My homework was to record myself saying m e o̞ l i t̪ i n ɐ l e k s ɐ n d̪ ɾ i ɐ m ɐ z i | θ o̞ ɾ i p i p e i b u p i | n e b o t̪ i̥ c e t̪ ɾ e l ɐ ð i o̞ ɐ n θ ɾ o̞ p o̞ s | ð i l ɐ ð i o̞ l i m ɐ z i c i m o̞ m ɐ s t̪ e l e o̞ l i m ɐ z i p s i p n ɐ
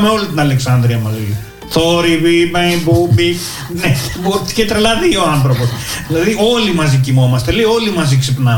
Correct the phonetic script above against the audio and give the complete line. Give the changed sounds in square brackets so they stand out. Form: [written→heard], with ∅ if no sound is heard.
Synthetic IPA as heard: m e o̞ l i t̪ i n ɐ l e k s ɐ n d̪ ɾ i ɐ m ɐ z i | θ o̞ ɾ i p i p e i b u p i | n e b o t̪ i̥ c e t̪ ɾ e l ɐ ð i o̞ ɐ n θ ɾ o̞ p o̞ s | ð i l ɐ ð i o̞ l i m ɐ z i c i m o̞ m ɐ s t̪ e l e o̞ l i m ɐ z i [p→k] s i p n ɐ